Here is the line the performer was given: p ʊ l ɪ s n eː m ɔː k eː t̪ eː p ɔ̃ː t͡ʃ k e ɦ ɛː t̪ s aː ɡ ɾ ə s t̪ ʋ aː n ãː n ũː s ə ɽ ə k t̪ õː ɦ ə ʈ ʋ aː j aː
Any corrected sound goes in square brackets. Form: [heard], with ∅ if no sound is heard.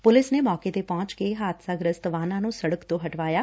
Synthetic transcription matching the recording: p ʊ l ɪ s n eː m ɔː k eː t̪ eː p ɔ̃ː t͡ʃ k e ɦ [aː] t̪ s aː ɡ ɾ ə s t̪ ʋ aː n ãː n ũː s ə ɽ ə k t̪ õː ɦ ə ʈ ʋ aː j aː